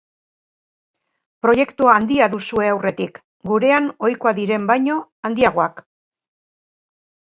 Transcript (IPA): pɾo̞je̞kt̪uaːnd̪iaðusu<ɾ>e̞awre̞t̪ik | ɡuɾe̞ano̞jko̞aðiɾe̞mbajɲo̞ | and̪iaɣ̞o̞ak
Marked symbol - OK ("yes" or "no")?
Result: no